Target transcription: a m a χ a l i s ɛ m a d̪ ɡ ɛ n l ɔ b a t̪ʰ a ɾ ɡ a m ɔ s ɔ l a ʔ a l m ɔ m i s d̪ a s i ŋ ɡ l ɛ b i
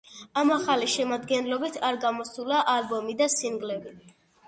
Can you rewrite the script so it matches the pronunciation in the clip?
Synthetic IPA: a m a χ a l i ʃ ɛ m a d̪ ɡ ɛ n l ɔ b i t̪ʰ a ɾ ɡ a m ɔ s u l a ʔ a l b ɔ m i d̪ a s i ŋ ɡ l ɛ b i